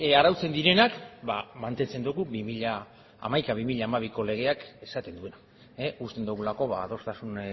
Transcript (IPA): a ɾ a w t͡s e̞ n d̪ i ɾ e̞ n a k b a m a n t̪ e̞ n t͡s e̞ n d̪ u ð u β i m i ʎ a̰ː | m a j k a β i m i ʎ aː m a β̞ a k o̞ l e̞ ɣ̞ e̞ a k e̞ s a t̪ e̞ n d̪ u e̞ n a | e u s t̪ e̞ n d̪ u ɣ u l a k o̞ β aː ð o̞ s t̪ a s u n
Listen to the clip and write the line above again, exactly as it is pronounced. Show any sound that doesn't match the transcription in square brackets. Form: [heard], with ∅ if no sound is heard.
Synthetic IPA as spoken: a ɾ a w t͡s e̞ n d̪ i ɾ e̞ n a k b a m a n t̪ e̞ n t͡s e̞ n d̪ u [ɣ] u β i m i ʎ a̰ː | m a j k a β i m i ʎ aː m a β̞ [i] k o̞ l e̞ ɣ̞ e̞ a k e̞ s a t̪ e̞ n d̪ u e̞ n a | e u s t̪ e̞ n d̪ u ɣ u l a k o̞ β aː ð o̞ s t̪ a s u n